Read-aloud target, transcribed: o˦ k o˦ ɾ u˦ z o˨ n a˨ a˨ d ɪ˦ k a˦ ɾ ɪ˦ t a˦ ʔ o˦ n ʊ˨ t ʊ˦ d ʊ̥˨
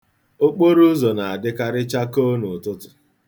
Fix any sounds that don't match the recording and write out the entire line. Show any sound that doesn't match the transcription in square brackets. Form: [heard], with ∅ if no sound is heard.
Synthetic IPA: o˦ [k͡p] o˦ ɾ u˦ z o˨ n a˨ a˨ d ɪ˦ k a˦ ɾ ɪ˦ [t͡ʃ] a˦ [k] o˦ n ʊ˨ t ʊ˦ [t] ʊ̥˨